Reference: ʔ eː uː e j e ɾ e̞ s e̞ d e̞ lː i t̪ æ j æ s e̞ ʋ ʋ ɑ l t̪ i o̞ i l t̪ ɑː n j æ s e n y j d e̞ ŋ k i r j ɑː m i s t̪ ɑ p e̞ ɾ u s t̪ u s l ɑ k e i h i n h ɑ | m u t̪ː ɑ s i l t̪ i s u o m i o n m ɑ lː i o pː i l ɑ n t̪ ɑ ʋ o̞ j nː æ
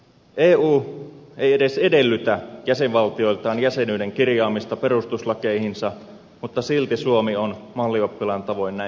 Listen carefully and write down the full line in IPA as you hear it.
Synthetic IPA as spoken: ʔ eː uː e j e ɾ e̞ s e̞ d e̞ lː y t̪ æ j æ s e̞ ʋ ʋ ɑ l t̪ i o̞ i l t̪ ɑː n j æ s e n y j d e̞ ŋ k i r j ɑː m i s t̪ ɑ p e̞ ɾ u s t̪ u s l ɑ k e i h i n s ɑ | m u t̪ː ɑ s i l t̪ i s u o m i o n m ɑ lː i o pː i l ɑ n t̪ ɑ ʋ o̞ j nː æ